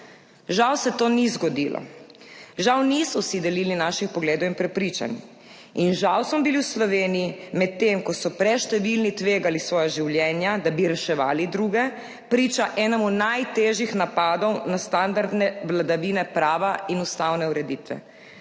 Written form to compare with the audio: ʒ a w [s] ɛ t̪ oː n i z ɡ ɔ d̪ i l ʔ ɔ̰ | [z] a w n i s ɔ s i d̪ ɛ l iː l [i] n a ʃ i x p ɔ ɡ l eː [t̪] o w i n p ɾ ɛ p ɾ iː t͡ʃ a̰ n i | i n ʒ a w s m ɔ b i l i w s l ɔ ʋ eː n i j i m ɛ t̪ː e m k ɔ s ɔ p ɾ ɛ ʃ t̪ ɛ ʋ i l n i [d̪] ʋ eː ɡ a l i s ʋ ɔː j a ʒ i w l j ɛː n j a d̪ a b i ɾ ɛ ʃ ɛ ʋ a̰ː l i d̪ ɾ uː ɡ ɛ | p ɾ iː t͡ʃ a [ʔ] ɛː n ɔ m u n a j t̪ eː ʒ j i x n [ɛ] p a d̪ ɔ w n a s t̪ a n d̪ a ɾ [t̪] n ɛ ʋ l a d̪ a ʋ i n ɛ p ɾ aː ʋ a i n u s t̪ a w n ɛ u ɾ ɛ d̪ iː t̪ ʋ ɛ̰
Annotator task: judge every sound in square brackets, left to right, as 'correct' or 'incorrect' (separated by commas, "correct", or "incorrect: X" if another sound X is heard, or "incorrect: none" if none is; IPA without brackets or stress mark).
correct, incorrect: ʒ, correct, incorrect: d̪, incorrect: t̪, correct, incorrect: a, incorrect: d̪